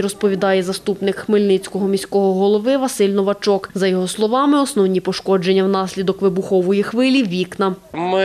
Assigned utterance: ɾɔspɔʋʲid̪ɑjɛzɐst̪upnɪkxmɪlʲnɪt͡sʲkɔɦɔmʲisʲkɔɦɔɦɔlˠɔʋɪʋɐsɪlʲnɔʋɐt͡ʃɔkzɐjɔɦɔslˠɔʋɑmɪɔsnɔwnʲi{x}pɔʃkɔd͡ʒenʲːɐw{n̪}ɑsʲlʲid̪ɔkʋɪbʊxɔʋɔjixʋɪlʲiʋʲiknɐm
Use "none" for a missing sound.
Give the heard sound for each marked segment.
none, n̪

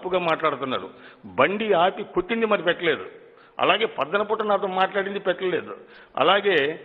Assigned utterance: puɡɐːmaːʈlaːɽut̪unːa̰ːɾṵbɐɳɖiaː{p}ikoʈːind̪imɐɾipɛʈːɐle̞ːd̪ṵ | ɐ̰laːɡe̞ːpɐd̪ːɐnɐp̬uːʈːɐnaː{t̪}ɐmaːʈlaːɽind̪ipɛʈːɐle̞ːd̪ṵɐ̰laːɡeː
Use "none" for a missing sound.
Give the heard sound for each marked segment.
p, t̪

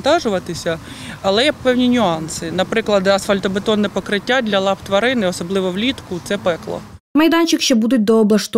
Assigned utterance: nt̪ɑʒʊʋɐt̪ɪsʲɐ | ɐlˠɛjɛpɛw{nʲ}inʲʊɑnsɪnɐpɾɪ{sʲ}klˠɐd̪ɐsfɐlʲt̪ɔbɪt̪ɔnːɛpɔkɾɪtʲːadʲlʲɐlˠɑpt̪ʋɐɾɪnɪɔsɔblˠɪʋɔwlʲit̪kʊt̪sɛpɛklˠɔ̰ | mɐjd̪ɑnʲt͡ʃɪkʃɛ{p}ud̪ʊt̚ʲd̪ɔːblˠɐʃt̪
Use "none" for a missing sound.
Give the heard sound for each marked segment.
nʲ, none, b

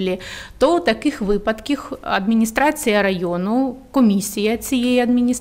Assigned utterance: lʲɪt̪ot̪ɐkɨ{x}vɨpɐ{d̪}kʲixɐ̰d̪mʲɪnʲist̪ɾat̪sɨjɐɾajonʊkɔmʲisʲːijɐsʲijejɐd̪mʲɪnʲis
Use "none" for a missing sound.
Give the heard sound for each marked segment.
x, t̪

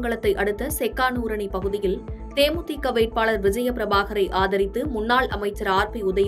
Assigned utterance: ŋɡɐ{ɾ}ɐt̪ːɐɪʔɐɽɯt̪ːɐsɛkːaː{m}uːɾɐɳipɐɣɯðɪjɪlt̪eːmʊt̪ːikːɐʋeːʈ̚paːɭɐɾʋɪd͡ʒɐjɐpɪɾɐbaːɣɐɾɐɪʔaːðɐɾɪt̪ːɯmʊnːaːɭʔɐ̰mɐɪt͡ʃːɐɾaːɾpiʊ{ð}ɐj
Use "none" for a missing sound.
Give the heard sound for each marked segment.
ɭ, n, ð

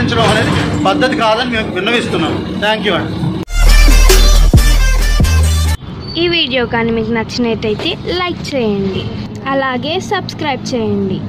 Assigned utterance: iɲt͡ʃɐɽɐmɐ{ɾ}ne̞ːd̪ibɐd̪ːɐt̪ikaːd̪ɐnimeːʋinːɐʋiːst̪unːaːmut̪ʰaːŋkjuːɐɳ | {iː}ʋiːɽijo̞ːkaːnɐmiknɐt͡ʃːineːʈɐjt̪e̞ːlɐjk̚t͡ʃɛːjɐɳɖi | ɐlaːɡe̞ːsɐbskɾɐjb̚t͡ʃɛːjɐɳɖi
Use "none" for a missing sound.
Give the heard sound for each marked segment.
none, iː

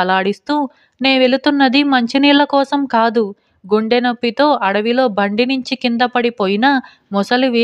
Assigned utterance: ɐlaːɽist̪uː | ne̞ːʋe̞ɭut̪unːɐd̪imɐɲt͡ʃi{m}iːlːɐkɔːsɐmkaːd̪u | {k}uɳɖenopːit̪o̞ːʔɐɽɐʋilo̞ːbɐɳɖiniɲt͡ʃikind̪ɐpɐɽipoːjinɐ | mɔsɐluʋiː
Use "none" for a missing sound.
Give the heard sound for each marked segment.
n, ɡ

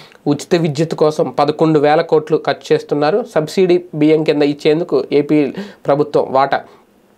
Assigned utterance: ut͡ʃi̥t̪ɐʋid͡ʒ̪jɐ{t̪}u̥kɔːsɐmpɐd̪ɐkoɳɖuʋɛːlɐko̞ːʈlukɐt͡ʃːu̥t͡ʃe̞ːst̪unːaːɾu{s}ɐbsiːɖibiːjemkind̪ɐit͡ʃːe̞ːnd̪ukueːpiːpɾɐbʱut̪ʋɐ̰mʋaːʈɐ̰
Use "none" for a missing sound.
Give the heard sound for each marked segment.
t̪, s

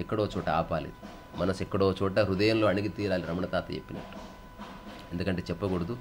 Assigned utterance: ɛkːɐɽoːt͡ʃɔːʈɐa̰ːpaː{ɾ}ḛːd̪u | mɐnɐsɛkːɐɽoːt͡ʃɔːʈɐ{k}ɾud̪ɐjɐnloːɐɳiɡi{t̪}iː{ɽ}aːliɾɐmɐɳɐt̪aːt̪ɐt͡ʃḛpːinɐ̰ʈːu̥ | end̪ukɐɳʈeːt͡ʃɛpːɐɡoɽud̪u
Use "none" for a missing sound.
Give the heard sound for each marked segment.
l, none, t̪, ɾ

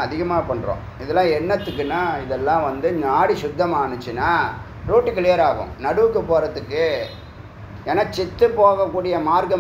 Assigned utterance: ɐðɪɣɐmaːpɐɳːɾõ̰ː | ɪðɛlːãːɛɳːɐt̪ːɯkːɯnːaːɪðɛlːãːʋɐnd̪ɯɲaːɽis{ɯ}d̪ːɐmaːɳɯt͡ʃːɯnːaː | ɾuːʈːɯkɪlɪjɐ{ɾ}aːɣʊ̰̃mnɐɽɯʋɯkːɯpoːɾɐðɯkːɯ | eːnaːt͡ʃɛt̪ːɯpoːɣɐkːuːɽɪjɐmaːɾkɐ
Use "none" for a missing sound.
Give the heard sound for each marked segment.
ʊ, ɾ

